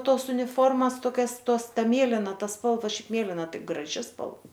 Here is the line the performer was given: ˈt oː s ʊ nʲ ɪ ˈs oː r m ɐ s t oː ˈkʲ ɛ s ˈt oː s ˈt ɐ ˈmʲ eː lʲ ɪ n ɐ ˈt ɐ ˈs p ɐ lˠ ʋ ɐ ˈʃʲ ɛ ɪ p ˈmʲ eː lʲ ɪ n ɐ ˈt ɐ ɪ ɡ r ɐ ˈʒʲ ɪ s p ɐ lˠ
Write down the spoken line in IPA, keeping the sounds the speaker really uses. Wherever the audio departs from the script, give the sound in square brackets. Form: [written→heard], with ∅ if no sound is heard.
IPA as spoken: ˈt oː s ʊ nʲ ɪ [ˈs→ˈf] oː r m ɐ s t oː ˈkʲ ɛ s ˈt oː s ˈt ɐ ˈmʲ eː lʲ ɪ n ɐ ˈt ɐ ˈs p ɐ lˠ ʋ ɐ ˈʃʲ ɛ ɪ p ˈmʲ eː lʲ ɪ n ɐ ˈt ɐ ɪ ɡ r ɐ ˈʒʲ ɪ s p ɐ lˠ